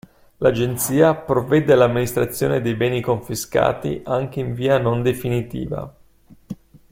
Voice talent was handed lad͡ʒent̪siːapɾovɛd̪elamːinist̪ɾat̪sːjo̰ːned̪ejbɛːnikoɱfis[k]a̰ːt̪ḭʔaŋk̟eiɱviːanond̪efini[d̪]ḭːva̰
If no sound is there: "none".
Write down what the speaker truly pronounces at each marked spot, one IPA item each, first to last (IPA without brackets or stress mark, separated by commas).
k, t̪